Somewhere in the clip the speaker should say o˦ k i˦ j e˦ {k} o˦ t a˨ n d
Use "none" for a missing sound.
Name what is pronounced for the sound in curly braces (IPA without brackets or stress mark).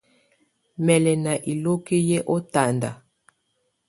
ʔ